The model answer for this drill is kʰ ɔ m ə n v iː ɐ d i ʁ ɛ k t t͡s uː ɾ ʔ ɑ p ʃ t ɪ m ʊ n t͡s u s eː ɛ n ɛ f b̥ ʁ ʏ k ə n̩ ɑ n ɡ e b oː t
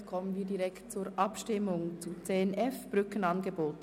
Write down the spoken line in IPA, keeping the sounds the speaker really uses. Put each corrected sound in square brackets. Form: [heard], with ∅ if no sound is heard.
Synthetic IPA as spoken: kʰ ɔ m ə n v iː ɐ d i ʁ ɛ k t t͡s uː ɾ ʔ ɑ p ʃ t ɪ m ʊ [ŋ] t͡s u [t͡s] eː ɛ n ɛ f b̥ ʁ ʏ k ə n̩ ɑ n ɡ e b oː t